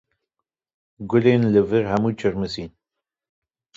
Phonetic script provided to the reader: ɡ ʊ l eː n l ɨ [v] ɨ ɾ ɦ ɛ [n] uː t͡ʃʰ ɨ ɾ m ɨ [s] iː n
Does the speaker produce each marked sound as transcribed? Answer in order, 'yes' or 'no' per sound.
yes, no, yes

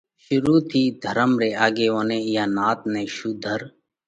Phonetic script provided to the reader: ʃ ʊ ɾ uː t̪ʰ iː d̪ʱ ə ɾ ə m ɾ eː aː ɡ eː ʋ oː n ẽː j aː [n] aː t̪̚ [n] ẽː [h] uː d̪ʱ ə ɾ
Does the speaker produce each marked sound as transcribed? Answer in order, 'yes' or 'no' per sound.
yes, yes, no

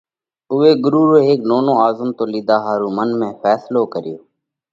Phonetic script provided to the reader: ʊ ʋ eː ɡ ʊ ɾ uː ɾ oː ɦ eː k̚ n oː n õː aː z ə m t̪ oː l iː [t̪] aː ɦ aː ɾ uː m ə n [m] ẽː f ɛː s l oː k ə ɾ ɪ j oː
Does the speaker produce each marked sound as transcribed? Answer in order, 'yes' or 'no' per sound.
no, yes

